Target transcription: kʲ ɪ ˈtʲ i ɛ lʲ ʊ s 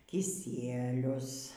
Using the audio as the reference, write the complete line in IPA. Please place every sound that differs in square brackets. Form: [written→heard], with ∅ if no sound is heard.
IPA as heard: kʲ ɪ [ˈtʲ→ˈsʲ] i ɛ lʲ ʊ s